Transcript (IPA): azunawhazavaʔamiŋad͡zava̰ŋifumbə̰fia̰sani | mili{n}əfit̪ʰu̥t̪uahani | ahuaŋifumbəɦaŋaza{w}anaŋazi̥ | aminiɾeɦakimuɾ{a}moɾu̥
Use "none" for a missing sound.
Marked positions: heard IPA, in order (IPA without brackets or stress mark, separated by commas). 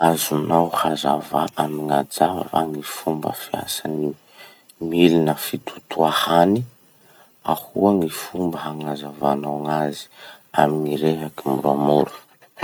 n, v, a